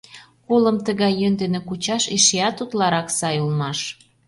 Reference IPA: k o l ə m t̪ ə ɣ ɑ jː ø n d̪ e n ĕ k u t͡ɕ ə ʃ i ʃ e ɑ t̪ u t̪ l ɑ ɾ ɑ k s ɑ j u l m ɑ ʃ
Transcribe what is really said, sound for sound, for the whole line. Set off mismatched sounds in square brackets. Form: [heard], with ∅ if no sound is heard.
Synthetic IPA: k o l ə m t̪ ə ɣ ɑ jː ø n d̪ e n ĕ k u t͡ɕ [ɑ] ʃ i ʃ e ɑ t̪ u t̪ l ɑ ɾ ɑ k s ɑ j u l m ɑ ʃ